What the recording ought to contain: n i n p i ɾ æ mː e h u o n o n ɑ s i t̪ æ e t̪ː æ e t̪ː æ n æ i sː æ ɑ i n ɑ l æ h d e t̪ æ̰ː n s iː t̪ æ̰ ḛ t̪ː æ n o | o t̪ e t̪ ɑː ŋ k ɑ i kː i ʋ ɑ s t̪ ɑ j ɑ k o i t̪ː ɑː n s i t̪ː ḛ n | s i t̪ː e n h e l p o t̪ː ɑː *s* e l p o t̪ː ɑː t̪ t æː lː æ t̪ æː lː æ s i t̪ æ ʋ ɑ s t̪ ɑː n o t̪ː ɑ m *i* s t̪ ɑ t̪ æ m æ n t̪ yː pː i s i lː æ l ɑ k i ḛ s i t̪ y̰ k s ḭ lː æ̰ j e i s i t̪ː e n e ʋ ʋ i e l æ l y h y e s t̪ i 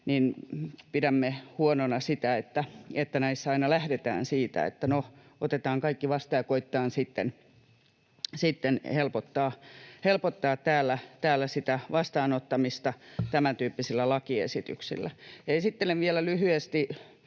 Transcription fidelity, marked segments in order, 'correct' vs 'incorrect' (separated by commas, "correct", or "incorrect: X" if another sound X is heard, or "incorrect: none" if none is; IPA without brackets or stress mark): incorrect: h, correct